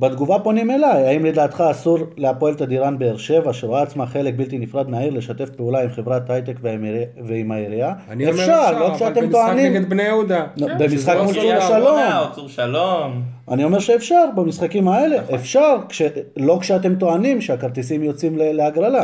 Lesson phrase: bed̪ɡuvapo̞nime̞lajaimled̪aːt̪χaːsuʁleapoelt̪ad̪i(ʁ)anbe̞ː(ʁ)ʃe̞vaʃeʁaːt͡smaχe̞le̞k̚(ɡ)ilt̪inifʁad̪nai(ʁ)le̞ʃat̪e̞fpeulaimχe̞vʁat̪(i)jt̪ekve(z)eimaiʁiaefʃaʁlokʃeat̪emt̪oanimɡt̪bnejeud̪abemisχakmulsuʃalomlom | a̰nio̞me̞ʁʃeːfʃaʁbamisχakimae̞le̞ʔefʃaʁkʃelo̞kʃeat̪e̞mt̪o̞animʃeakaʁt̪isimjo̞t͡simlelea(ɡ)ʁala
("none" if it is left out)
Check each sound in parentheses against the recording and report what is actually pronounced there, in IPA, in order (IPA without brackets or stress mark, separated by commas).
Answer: ʁ, ʁ, b, ʁ, a, v, ɡ